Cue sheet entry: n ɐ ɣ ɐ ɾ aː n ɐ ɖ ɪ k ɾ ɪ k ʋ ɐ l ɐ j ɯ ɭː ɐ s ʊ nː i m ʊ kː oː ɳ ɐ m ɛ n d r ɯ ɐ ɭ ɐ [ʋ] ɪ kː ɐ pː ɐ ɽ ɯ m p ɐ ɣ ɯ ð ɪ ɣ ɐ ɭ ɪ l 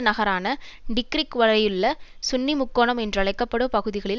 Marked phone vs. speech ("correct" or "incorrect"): incorrect